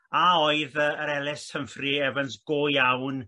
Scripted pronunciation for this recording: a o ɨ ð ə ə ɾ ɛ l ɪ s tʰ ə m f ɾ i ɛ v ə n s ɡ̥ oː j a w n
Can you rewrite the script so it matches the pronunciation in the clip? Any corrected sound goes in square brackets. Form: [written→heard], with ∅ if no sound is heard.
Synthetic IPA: a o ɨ ð ə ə ɾ ɛ l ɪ s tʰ ə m f [ɾ→r] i ɛ v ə n s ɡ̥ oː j a w n